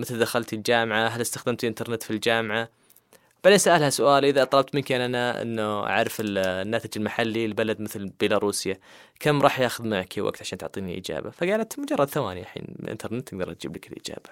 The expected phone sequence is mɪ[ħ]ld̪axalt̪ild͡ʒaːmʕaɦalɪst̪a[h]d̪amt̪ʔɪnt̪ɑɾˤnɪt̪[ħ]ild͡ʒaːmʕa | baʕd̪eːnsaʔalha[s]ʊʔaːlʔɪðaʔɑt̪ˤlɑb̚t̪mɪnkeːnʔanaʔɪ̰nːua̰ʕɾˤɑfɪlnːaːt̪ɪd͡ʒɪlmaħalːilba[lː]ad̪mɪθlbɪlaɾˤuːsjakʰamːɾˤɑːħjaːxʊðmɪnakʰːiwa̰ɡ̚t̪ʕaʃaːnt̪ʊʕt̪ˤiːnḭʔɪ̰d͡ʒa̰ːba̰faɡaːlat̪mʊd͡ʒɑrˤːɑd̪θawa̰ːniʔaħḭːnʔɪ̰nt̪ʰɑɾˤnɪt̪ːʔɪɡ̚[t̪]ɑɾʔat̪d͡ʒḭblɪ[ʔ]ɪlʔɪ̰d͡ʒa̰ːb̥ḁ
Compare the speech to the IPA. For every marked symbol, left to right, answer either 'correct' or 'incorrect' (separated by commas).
incorrect, incorrect, incorrect, correct, incorrect, incorrect, incorrect